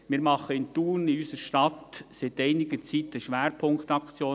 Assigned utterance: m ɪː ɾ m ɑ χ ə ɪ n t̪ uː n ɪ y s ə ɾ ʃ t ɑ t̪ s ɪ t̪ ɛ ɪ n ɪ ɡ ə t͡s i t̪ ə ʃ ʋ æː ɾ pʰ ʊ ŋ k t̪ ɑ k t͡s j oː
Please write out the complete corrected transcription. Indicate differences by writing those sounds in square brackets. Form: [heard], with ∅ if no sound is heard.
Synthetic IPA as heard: m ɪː ɾ m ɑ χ ə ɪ n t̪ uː n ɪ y s ə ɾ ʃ t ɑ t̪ s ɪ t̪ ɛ ɪ n ɪ ɡ ə t͡s i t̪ ə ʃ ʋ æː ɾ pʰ ʊ ŋ k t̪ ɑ k t͡s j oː